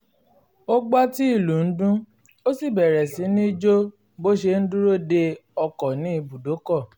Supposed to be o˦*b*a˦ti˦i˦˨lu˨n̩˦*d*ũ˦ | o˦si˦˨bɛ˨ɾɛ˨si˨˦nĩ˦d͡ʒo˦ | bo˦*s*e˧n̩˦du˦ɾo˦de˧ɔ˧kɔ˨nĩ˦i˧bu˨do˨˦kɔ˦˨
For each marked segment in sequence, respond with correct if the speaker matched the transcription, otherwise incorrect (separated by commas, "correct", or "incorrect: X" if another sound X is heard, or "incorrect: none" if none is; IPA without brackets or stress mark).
incorrect: ɡ͡b, correct, incorrect: ʃ